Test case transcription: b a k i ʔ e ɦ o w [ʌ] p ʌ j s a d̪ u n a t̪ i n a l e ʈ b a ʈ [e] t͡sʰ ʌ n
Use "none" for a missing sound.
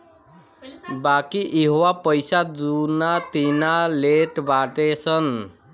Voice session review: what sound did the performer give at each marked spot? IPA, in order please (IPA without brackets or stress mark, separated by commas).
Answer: a, e